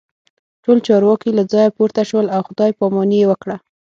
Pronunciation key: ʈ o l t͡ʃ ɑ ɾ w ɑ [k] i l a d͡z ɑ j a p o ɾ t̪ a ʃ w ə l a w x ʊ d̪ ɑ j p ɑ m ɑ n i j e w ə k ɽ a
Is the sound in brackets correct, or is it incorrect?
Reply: correct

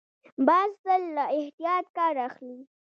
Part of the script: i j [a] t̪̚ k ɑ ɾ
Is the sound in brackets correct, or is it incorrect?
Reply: incorrect: ɑ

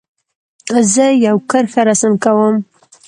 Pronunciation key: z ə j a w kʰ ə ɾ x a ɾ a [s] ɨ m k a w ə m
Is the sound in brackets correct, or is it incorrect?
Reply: correct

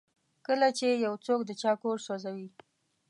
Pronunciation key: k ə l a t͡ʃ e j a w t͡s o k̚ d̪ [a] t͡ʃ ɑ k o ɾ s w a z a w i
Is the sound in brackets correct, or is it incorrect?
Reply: incorrect: ə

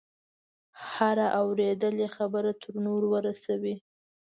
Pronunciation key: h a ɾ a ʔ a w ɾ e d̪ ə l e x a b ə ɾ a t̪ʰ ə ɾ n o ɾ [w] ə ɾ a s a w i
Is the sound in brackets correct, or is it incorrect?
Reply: correct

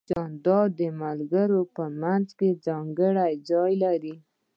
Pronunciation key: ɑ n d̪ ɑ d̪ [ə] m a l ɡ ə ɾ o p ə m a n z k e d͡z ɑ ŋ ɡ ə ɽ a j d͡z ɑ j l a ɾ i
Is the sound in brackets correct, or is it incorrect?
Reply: correct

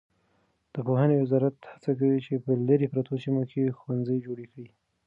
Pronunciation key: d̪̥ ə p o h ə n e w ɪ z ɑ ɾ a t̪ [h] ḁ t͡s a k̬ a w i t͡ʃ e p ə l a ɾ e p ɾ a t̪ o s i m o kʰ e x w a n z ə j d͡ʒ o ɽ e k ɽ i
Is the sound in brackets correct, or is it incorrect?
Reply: correct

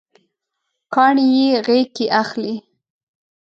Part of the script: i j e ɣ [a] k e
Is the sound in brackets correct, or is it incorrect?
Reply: incorrect: e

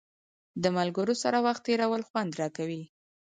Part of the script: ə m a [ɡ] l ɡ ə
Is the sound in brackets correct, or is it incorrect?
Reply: incorrect: none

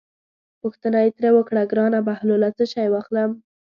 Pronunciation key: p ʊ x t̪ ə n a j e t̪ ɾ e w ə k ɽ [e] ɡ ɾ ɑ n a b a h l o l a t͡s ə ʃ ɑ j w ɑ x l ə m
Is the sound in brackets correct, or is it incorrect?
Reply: incorrect: a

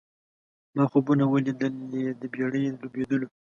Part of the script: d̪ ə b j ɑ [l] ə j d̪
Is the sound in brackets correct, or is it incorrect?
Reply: incorrect: ɽ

